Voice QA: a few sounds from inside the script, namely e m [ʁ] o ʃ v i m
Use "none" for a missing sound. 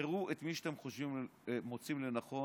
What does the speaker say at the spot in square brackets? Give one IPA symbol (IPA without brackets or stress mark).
χ